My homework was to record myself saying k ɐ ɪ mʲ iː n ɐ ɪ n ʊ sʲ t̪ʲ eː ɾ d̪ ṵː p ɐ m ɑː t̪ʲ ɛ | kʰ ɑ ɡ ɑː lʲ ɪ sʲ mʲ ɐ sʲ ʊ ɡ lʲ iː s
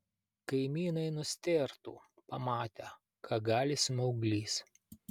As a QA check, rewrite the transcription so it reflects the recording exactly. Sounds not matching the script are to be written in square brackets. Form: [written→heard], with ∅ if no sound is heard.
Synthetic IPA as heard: k ɐ ɪ mʲ iː n ɐ ɪ n ʊ sʲ t̪ʲ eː ɾ [d̪→t̪] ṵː p ɐ m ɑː t̪ʲ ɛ | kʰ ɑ ɡ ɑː lʲ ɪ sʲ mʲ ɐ [sʲ→∅] ʊ ɡ lʲ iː s